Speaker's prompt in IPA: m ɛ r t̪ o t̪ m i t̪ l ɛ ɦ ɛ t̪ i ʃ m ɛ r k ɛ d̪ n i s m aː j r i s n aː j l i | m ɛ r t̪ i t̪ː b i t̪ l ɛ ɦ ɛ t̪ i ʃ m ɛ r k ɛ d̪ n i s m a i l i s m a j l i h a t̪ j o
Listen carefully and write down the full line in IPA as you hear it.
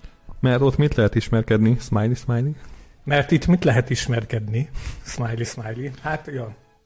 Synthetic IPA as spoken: m ɛ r t̪ o t̪ m i t̪ l ɛ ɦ ɛ t̪ i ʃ m ɛ r k ɛ d̪ n i s m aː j l i s m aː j l i | m ɛ r t̪ i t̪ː m i t̪ l ɛ ɦ ɛ t̪ i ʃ m ɛ r k ɛ d̪ n i s m a j l i s m a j l i h a t̪ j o